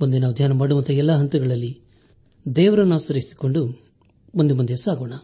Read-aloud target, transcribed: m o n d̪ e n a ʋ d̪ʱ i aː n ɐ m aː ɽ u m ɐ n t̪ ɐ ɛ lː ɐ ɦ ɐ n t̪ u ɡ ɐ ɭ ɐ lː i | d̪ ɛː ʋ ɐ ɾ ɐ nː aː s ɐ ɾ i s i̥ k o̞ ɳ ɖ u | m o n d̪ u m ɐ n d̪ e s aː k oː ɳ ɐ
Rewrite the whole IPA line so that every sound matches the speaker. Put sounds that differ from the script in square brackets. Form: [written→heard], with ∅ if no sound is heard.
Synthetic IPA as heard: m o n d̪ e n a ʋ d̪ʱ [i→j] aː n ɐ m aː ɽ u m ɐ n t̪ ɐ ɛ lː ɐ ɦ ɐ n t̪ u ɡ ɐ ɭ ɐ lː i | d̪ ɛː ʋ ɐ ɾ ɐ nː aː s ɐ ɾ i s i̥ k o̞ ɳ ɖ u | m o n d̪ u m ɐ n d̪ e s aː [k→ɡ] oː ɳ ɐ